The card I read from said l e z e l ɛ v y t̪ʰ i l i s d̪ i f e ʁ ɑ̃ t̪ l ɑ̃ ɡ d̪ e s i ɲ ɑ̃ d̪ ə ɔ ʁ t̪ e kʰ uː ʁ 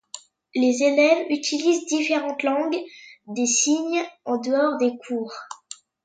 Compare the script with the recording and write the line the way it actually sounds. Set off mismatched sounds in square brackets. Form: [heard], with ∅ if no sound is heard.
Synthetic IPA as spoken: l e z e l ɛ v y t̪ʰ i l i [z] d̪ i f e ʁ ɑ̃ t̪ l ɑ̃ ɡ d̪ e s i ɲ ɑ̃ d̪ ə ɔ ʁ [d̪] e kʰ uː ʁ